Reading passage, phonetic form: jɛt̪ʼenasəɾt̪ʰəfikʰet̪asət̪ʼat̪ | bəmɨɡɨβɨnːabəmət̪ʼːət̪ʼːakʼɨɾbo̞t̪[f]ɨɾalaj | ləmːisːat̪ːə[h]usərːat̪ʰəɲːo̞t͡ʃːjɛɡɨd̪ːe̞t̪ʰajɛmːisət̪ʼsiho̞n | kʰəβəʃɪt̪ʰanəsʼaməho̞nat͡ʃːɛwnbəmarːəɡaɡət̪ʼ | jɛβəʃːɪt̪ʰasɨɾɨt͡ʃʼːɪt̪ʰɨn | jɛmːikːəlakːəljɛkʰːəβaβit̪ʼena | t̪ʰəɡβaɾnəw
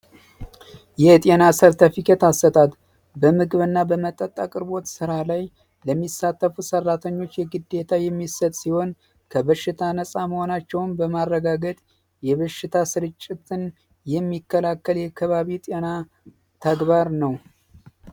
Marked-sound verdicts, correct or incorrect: incorrect: s, incorrect: f

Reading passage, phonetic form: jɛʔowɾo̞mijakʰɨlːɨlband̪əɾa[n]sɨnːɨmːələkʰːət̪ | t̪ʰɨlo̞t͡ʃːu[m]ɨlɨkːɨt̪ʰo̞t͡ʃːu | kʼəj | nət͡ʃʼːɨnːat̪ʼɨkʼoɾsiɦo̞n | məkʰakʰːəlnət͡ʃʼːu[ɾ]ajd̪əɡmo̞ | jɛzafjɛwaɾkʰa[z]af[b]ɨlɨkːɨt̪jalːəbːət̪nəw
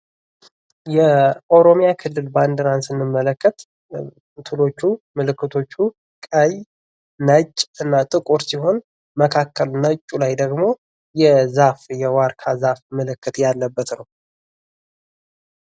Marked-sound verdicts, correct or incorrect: correct, correct, incorrect: l, correct, incorrect: m

